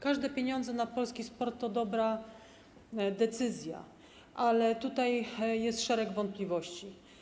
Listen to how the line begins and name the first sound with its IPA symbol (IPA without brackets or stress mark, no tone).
k